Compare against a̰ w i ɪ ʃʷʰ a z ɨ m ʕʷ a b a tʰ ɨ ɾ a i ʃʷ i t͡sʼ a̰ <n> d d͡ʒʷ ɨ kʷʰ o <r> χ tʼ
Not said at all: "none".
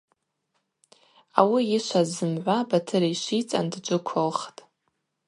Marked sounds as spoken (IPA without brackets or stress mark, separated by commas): n, l